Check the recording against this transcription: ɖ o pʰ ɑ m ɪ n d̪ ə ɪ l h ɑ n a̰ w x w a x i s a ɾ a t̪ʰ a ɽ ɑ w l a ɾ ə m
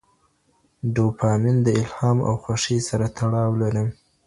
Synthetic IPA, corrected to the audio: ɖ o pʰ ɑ m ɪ n d̪ ə ɪ l h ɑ m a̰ w x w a ʂ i s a ɾ a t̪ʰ a ɽ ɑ w l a ɾ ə m

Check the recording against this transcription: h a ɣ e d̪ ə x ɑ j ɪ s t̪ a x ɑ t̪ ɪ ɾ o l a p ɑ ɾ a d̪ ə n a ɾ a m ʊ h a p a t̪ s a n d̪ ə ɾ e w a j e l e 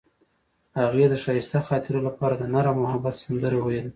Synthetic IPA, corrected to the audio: h a ɣ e d̪ ə ʃ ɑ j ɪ s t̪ a x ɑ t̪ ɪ ɾ o l a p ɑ ɾ a d̪ ə n a ɾ a m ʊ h a b a t̪ s a n d̪ ə ɾ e w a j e l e

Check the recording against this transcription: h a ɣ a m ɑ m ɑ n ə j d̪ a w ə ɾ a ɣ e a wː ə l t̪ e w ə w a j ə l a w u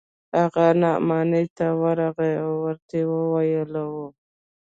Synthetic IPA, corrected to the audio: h a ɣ a n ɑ m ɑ n ə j t̪ a w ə ɾ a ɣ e a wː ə ɾ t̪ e w ə w a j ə l a w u

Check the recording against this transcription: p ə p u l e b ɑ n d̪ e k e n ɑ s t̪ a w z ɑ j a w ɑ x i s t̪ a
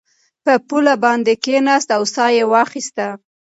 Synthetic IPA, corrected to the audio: p ə p u l a b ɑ n d̪ e k e n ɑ s t̪ a w s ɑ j e w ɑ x i s t̪ a

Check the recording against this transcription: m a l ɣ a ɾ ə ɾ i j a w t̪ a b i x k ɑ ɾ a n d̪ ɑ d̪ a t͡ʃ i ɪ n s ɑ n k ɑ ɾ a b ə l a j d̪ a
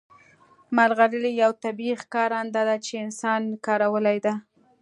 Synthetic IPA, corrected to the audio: m a l ɣ a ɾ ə l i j a w t̪ a b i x k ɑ ɾ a n d̪ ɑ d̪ a t͡ʃ e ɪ n s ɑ n k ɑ ɾ a w ə l a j d̪ a

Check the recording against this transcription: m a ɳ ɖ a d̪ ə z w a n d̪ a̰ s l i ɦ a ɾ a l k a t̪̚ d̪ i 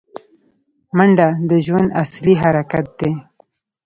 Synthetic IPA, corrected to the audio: m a ɳ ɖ a d̪ ə ʒ w a n d̪ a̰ s l i ɦ a ɾ a k a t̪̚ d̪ e

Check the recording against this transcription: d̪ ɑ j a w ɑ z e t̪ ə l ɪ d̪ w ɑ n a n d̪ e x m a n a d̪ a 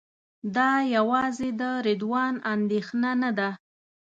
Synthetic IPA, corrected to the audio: d̪ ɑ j a w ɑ z e d̪ ə ɾ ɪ d̪ w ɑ n a n d̪ e x n a n a d̪ a

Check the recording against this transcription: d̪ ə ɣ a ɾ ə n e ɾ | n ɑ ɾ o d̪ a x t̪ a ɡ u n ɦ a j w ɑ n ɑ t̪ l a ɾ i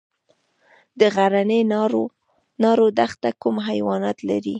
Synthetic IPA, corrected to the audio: d̪ ə ɣ a ɾ a n e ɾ | n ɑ ɾ o d̪ a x t̪ a k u m ɦ a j w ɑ n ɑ t̪ l a ɾ i

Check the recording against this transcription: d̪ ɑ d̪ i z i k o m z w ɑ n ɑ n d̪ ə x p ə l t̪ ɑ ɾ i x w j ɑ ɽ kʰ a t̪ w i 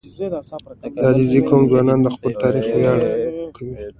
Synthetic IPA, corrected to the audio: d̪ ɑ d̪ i z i k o m z w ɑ n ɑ n d̪ ə x p ə l t̪ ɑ ɾ i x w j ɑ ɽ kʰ a w i

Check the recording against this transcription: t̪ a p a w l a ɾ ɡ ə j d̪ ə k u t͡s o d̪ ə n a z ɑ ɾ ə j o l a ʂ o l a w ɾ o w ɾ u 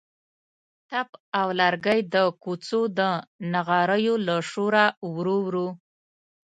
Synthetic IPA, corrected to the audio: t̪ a p a w l a ɾ ɡ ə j d̪ ə k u t͡s o d̪ ə n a ɣ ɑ ɾ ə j o l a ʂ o ɾ a w ɾ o w ɾ u

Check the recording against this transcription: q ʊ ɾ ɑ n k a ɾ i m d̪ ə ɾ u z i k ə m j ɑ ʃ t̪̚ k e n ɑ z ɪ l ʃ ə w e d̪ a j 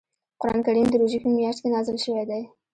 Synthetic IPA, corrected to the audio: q ʊ ɾ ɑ n k a ɾ i m d̪ ə ɾ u ʒ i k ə m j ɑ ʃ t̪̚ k e n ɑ z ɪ l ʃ ə w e d̪ a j

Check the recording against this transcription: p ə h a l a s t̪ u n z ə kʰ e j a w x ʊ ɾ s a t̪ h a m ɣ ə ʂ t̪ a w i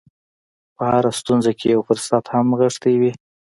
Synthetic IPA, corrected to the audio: p ə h a ɾ a s t̪ u n z a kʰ e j a w f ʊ ɾ s a t̪ h a m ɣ ə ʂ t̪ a w i

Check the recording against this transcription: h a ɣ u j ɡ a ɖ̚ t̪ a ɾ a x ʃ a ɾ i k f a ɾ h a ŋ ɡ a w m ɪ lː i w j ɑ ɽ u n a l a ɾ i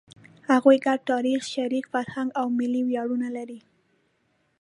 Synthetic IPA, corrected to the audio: h a ɣ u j ɡ a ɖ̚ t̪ ɑ ɾ i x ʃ a ɾ i k f a ɾ h a ŋ ɡ a w m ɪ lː i w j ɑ ɽ u n a l a ɾ i

